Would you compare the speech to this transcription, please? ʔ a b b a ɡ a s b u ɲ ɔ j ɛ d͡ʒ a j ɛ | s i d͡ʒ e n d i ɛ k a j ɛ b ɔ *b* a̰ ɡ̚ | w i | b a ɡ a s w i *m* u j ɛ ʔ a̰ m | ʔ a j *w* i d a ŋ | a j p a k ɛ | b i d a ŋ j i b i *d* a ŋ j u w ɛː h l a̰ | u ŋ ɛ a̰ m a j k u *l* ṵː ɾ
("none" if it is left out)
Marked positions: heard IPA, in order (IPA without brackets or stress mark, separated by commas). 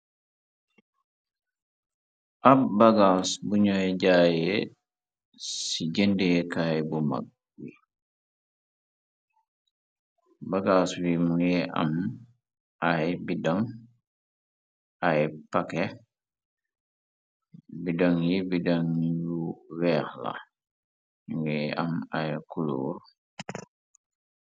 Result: m, m, b, d, l